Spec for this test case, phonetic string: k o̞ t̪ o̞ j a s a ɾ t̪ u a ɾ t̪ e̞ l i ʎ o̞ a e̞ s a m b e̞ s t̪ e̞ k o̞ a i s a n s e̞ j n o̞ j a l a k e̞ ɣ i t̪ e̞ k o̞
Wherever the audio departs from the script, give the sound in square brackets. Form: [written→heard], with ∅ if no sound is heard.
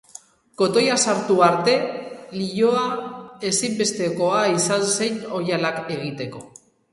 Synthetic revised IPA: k o̞ t̪ o̞ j a s a ɾ t̪ u a ɾ t̪ e̞ l i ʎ o̞ a e̞ s [a→i] m b e̞ s t̪ e̞ k o̞ a i s a n s e̞ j n o̞ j a l a k e̞ ɣ i t̪ e̞ k o̞